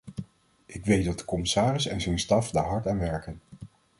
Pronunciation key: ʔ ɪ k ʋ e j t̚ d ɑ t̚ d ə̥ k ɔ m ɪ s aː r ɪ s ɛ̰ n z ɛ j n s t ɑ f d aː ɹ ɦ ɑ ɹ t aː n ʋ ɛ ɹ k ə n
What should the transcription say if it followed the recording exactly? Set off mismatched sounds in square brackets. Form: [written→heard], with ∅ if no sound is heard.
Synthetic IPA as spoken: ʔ ɪ k ʋ e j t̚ d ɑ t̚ d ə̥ k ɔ m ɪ s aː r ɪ s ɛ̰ n z ɛ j n s t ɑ f d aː ɹ ɦ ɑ ɹ t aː n ʋ ɛ ɹ k ə n